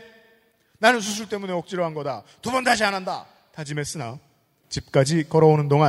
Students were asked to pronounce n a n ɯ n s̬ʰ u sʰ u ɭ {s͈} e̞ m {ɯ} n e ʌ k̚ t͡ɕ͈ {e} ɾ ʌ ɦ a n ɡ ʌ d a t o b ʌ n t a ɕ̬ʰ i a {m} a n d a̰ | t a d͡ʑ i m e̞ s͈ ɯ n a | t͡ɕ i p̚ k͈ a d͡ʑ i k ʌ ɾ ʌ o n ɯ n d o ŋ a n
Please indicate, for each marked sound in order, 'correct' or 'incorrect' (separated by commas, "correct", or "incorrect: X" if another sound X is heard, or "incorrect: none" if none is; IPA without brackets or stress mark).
incorrect: t͈, incorrect: u, incorrect: i, incorrect: n